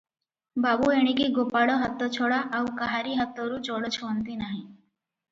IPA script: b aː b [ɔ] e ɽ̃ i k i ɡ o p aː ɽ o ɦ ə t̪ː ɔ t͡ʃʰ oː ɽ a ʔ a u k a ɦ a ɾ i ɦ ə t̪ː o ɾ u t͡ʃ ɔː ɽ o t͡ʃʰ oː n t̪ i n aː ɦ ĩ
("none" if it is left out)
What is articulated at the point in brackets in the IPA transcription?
u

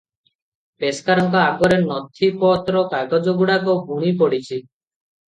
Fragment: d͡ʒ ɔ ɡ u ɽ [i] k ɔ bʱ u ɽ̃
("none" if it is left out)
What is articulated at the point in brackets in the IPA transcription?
a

